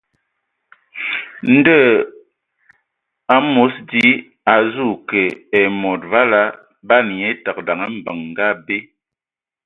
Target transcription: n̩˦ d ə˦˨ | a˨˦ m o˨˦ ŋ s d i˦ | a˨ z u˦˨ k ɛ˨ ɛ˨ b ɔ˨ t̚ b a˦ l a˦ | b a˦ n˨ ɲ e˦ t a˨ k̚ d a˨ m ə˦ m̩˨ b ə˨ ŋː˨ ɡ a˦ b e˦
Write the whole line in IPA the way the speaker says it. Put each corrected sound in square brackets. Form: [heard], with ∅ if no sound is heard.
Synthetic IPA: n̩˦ d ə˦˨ | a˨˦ m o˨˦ [∅] s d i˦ | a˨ z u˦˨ k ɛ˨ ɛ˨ [m] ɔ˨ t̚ [v] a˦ l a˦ | b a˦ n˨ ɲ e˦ t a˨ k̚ d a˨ [ŋ] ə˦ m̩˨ b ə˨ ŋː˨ ɡ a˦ b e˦